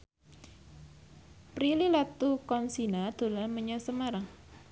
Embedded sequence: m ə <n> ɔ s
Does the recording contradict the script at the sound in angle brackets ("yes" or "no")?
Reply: yes